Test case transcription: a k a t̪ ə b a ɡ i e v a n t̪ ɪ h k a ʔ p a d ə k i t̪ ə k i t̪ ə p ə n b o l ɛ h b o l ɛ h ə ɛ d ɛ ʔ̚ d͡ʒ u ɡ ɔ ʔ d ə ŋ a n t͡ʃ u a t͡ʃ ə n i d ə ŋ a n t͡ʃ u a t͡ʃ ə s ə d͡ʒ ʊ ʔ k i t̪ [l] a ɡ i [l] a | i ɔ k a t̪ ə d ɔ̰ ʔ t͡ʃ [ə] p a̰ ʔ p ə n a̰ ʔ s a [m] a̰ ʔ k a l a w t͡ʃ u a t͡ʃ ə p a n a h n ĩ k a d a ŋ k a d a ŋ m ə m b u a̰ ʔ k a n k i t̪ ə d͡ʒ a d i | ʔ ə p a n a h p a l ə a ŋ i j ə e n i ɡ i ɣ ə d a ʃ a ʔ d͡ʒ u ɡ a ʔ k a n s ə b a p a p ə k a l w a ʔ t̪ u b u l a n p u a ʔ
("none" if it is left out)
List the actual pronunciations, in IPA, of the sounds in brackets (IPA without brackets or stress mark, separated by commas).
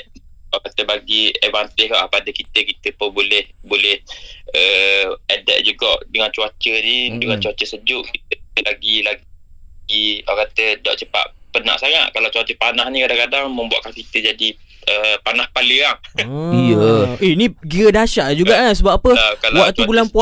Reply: l, l, ə, ŋ